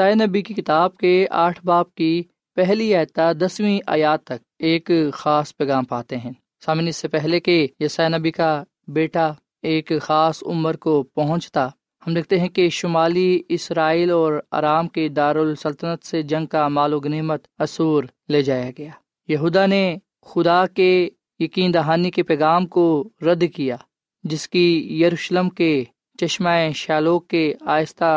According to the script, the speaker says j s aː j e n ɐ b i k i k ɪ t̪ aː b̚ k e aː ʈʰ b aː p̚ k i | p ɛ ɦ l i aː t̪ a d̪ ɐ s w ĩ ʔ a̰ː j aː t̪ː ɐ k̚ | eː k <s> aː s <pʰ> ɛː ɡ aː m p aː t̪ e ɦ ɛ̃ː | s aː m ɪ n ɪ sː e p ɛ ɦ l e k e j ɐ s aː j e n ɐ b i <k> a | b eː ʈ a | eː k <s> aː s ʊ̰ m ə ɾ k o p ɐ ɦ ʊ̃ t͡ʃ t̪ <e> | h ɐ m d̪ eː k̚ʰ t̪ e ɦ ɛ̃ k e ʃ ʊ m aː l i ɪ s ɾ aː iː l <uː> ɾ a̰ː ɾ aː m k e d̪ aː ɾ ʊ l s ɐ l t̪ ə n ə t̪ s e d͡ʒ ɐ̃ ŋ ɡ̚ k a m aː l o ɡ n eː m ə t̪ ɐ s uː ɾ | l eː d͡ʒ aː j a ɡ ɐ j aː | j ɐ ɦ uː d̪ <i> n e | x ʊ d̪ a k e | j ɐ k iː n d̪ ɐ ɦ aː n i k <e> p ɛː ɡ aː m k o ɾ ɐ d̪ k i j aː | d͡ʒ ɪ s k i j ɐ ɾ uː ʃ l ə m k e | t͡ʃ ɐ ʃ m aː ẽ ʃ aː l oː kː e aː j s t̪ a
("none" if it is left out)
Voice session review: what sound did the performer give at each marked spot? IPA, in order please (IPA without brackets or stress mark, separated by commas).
x, p, k, x, a, ɔː, a, e